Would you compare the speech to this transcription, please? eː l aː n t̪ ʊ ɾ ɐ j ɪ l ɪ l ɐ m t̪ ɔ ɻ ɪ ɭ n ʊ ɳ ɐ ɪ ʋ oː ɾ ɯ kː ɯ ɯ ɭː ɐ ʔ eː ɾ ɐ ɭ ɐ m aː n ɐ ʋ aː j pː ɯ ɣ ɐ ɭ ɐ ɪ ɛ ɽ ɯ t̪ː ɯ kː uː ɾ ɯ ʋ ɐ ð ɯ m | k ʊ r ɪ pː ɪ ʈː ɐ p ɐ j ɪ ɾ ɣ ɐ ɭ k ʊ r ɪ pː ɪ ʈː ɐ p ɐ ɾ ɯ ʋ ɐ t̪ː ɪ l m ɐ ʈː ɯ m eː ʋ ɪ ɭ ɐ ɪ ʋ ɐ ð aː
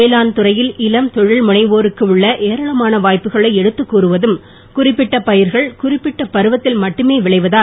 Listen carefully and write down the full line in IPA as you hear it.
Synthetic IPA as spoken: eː l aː n t̪ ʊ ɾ ɐ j ɪ l ɪ l ɐ m t̪ ɔ ɻ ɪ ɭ m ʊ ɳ ɐ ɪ ʋ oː ɾ ɯ kː ɯ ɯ ɭː ɐ ʔ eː ɾ ɐ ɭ ɐ m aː n ɐ ʋ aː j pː ɯ ɣ ɐ ɭ ɐ ɪ ɛ ɽ ɯ t̪ː ɯ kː uː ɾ ɯ ʋ ɐ ð ɯ m | k ʊ r ɪ pː ɪ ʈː ɐ p ɐ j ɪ ɾ ɣ ɐ ɭ k ʊ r ɪ pː ɪ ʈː ɐ p ɐ ɾ ɯ ʋ ɐ t̪ː ɪ l m ɐ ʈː ɯ m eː ʋ ɪ ɭ ɐ ɪ ʋ ɐ ð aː

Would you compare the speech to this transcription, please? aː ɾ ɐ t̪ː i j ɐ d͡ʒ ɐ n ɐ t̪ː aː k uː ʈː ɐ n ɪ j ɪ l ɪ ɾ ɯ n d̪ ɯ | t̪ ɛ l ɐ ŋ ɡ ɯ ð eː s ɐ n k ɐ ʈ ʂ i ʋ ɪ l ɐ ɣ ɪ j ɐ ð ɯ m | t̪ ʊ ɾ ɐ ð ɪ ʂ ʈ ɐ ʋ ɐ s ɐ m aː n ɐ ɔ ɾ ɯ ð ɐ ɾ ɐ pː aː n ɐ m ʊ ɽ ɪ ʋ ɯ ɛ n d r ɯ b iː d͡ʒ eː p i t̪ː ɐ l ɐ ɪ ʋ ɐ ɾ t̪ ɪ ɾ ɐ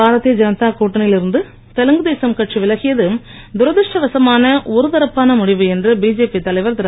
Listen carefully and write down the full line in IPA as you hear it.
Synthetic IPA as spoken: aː ɾ ɐ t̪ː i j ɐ d͡ʒ ɐ n ɐ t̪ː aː k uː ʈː ɐ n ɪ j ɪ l ɪ ɾ ɯ n d̪ ɯ | t̪ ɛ l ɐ ŋ ɡ ɯ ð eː s ɐ m k ɐ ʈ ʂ i ʋ ɪ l ɐ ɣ ɪ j ɐ ð ɯ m | d̪ ʊ ɾ ɐ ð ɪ ʂ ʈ ɐ ʋ ɐ s ɐ m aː n ɐ ɔ ɾ ɯ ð ɐ ɾ ɐ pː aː n ɐ m ʊ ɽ ɪ ʋ ɯ ɛ n d r ɯ b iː d͡ʒ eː p i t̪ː ɐ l ɐ ɪ ʋ ɐ ɾ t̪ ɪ ɾ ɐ

